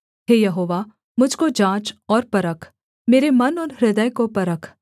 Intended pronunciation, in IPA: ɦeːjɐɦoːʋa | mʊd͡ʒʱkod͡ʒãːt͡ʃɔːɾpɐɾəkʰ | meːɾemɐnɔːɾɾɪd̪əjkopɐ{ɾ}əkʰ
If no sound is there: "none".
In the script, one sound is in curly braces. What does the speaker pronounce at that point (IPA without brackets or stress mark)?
ɾ